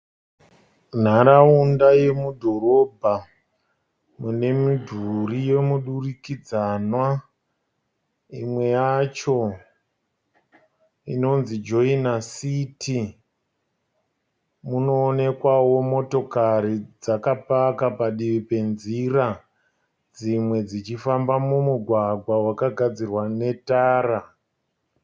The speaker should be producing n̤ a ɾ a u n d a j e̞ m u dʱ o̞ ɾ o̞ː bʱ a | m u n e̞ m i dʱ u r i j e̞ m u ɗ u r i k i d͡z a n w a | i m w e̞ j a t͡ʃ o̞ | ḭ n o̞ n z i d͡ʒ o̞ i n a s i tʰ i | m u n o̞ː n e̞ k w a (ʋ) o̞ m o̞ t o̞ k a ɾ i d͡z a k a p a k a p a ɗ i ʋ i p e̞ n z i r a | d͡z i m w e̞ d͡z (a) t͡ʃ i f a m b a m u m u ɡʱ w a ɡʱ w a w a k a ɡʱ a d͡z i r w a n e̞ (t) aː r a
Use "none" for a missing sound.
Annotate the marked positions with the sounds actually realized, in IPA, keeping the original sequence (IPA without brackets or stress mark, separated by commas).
w, i, t